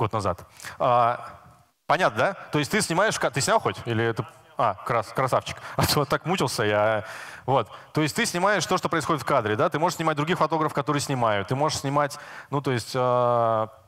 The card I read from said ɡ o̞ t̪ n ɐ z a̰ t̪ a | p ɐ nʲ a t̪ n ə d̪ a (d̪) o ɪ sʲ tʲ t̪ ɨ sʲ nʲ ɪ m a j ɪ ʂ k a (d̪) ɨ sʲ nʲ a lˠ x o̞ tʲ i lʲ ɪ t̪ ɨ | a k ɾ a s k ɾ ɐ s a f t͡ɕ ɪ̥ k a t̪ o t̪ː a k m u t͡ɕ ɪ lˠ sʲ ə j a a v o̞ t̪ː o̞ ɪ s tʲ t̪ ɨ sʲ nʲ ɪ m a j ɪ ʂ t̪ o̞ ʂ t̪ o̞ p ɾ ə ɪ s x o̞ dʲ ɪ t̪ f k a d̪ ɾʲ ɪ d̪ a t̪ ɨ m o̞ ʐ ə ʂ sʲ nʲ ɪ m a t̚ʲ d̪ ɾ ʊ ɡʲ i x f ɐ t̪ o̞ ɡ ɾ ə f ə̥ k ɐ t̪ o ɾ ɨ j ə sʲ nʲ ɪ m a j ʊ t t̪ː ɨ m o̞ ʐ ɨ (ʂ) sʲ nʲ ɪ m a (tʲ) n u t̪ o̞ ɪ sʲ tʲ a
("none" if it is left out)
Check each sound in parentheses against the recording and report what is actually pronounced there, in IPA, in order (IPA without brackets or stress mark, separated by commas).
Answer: t̪, t̪, ʂ, tʲ